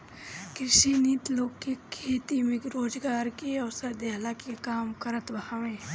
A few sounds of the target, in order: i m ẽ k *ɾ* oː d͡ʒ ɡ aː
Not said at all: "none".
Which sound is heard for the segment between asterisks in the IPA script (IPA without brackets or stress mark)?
ɾ